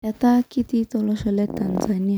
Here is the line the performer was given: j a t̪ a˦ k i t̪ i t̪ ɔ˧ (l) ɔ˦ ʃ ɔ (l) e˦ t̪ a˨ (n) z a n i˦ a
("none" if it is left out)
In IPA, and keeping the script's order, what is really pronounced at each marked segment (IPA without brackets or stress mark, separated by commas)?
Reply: l, l, n